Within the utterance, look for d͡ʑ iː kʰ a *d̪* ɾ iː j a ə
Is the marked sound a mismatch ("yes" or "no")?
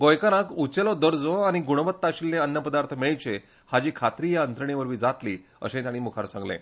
yes